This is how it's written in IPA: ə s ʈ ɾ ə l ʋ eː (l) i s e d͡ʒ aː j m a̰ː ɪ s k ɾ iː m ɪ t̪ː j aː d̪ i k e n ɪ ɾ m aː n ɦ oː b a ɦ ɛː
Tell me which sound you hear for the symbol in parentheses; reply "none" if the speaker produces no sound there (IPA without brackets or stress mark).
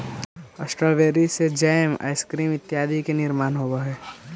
ɾ